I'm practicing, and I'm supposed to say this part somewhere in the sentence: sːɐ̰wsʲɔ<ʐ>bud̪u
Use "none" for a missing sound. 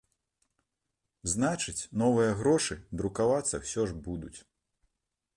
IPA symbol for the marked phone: ʐ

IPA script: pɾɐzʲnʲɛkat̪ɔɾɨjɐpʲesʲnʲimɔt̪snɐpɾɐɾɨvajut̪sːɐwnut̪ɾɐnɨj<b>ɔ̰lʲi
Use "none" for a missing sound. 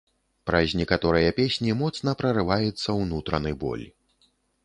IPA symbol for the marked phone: b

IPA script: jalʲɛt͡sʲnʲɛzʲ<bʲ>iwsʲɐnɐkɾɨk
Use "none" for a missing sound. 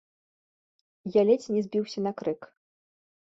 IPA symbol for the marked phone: bʲ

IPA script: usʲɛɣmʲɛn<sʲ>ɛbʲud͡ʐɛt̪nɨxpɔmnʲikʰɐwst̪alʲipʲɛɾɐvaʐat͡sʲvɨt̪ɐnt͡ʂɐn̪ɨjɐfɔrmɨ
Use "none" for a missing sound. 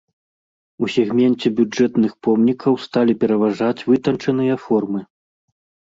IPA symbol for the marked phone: t͡sʲ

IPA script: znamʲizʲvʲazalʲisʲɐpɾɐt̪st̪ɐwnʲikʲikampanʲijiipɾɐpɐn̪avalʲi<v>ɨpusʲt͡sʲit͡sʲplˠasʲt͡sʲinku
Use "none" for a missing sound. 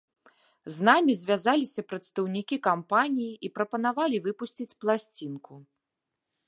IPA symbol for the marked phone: v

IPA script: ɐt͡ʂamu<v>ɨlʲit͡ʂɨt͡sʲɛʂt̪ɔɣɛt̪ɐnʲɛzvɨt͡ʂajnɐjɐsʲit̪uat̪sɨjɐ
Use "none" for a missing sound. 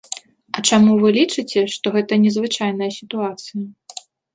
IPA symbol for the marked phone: v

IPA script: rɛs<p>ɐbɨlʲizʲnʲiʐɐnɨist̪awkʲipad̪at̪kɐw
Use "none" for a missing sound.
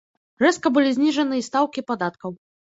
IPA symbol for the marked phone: k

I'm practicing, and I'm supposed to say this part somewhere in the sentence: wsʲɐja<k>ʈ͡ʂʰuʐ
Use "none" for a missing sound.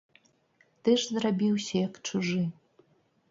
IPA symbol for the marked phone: k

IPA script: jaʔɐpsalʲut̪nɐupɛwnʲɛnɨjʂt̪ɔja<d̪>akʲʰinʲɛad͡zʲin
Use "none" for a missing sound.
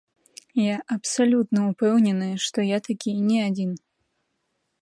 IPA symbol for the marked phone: t̪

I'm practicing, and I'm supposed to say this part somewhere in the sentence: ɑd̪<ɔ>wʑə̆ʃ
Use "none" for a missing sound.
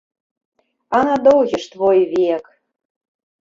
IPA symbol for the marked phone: o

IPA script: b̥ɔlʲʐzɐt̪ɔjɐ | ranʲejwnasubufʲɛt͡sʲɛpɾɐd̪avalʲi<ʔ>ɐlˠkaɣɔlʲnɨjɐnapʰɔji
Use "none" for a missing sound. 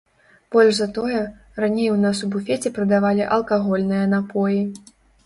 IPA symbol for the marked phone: ʔ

